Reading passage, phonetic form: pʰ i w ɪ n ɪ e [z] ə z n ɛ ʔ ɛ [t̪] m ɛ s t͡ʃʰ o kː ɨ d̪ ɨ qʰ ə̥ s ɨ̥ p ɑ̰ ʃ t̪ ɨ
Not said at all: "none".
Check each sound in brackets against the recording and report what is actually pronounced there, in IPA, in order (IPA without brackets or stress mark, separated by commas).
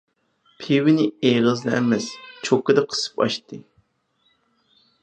ʁ, none